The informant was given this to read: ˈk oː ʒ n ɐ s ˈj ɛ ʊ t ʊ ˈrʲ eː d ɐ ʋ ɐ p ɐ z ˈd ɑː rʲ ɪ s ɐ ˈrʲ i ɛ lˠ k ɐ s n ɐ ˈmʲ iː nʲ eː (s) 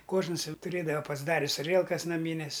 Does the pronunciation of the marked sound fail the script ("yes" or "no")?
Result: no